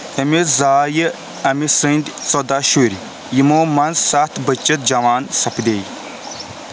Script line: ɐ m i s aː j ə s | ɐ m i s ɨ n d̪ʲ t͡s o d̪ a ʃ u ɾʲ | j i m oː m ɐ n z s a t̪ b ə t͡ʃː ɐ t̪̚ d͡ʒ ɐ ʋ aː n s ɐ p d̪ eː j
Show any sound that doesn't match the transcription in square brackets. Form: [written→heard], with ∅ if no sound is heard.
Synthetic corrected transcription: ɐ m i [s→z] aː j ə [s→∅] | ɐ m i s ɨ n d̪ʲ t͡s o d̪ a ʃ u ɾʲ | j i m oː m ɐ n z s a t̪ b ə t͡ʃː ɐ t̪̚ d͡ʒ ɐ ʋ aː n s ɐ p d̪ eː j